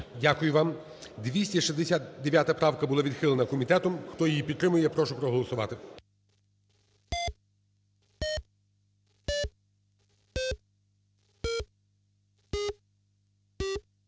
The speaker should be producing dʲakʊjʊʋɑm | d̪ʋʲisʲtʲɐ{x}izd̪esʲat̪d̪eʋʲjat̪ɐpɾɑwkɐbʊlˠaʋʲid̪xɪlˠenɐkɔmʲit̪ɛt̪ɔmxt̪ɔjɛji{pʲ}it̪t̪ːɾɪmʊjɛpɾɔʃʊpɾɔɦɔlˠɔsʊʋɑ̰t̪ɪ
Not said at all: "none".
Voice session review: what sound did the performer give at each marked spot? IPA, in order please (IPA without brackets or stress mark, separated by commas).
ʃ, pʲ